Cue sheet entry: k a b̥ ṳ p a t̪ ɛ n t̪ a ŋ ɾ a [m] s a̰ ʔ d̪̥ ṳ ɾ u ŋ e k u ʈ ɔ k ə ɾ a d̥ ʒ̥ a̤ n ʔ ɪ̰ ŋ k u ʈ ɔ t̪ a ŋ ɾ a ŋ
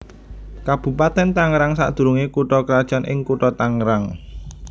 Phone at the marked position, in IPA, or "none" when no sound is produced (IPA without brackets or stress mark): ŋ